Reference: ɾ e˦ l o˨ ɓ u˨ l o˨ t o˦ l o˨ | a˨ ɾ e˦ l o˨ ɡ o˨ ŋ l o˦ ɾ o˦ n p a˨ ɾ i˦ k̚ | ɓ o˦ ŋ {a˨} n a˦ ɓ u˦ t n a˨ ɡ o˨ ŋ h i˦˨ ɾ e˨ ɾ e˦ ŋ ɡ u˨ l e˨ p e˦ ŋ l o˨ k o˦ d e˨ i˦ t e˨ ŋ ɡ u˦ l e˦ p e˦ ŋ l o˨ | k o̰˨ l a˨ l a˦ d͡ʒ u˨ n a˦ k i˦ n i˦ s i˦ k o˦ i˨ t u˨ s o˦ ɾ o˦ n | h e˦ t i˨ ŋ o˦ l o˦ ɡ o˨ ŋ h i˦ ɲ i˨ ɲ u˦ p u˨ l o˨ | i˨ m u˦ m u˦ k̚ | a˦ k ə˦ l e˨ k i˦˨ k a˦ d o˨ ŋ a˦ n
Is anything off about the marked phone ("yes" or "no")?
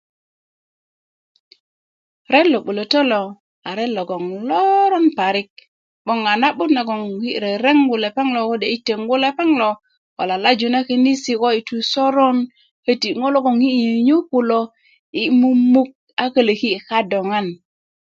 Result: no